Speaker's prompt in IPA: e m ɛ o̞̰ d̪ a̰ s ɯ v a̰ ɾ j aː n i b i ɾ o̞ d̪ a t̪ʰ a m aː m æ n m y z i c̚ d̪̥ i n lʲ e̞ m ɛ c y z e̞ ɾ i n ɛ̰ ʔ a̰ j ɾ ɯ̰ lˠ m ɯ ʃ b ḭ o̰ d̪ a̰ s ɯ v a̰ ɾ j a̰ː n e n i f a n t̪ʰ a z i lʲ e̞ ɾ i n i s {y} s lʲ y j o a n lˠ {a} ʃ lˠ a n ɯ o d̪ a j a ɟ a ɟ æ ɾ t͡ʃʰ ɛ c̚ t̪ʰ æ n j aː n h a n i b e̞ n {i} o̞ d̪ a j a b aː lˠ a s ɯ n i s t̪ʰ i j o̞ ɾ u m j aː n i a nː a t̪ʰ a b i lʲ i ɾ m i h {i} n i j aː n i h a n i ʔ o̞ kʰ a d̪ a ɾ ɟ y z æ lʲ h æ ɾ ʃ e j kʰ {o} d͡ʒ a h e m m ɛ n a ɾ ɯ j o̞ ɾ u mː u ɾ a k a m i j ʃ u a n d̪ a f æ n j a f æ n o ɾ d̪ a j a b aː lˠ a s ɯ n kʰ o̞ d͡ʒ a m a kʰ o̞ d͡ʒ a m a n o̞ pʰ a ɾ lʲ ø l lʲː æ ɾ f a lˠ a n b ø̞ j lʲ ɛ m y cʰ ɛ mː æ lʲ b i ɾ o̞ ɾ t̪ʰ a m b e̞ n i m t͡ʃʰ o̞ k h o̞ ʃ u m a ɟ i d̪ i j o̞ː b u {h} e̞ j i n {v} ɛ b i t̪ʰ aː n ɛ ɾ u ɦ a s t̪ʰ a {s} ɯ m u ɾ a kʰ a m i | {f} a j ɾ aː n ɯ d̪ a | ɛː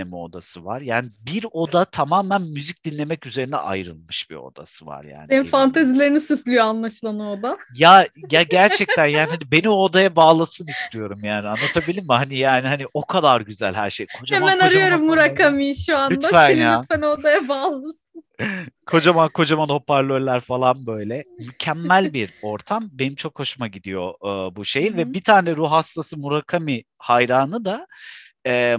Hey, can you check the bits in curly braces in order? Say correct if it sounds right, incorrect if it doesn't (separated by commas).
correct, correct, correct, incorrect, correct, incorrect, correct, correct, incorrect